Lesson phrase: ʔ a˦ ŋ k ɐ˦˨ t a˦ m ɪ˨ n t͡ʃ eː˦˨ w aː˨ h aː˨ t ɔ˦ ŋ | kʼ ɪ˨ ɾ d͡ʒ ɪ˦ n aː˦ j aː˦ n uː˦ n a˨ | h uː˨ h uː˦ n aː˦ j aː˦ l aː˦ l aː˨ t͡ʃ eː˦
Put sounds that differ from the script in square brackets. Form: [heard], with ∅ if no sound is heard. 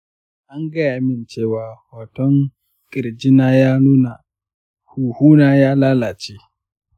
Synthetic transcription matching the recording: ʔ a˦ ŋ [ɡ] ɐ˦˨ [ʔ] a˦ m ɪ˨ n t͡ʃ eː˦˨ w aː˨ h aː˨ t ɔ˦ ŋ | kʼ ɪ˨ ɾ d͡ʒ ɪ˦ n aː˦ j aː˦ n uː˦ n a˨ | h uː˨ h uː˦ n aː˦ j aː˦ l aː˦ l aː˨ t͡ʃ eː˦